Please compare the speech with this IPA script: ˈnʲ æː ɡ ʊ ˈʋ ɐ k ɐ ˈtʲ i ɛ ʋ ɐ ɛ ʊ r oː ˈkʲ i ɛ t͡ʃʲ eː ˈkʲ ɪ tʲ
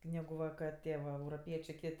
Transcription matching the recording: ˈnʲ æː ɡ ʊ ˈʋ ɐ k ɐ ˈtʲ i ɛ ʋ ɐ ɛ ʊ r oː ˈpʲ i ɛ t͡ʃʲ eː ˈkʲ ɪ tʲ